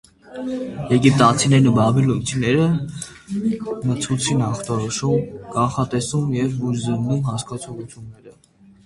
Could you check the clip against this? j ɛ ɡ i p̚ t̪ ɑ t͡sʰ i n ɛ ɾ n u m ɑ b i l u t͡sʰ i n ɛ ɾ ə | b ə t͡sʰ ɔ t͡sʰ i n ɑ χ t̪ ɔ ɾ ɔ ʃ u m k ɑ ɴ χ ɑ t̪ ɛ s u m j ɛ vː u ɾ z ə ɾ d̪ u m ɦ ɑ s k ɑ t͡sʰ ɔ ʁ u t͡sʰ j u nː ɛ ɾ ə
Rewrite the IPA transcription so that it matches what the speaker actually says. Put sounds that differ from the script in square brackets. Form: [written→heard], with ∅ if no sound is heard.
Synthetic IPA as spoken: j ɛ ɡ i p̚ t̪ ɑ t͡sʰ i n ɛ ɾ n u [m→b] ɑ b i l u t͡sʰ i n ɛ ɾ ə | [b→m] ə t͡sʰ [ɔ→u] t͡sʰ i n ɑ χ t̪ ɔ ɾ ɔ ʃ u m k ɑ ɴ χ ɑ t̪ ɛ s u m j ɛ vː u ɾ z ə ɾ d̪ u m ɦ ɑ s k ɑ t͡sʰ ɔ ʁ u t͡sʰ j u nː ɛ ɾ ə